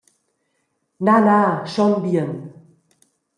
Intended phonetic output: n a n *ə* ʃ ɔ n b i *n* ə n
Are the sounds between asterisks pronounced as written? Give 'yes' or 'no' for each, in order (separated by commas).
no, no